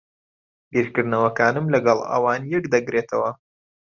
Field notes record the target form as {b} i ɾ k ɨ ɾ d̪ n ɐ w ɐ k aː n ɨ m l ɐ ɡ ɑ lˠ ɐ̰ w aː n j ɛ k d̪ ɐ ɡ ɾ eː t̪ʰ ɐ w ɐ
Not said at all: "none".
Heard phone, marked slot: b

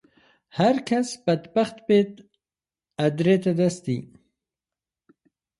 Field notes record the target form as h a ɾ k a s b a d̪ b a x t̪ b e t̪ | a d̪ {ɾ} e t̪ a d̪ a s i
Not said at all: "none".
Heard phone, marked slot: ɾ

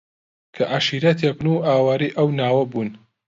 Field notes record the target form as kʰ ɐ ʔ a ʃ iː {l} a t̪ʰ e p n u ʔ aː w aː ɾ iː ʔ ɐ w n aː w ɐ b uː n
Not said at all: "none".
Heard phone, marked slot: ɾ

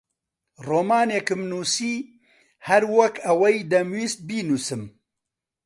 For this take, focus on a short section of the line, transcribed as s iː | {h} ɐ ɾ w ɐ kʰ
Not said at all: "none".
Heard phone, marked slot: h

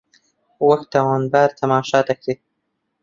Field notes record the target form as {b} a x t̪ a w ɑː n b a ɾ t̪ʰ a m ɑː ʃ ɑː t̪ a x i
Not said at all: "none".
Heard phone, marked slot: w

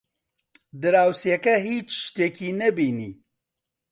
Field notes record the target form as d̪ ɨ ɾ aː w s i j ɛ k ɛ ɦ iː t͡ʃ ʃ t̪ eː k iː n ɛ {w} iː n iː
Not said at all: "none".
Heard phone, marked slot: b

